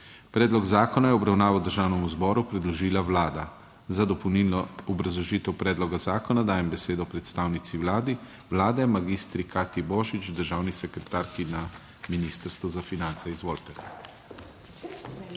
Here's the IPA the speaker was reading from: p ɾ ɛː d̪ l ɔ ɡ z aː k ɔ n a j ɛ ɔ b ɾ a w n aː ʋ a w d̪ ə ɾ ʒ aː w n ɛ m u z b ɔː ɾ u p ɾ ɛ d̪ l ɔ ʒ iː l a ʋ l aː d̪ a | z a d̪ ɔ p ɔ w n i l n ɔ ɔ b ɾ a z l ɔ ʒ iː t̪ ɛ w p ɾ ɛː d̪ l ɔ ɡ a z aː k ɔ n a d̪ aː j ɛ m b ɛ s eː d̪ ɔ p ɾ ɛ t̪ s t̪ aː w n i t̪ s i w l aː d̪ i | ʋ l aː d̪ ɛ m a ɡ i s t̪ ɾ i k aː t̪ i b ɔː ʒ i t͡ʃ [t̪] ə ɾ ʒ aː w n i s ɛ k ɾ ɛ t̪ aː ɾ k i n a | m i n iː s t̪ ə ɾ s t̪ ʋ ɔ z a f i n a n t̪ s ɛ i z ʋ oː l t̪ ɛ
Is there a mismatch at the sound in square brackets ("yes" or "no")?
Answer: yes